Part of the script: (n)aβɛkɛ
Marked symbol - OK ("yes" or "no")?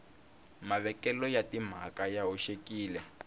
no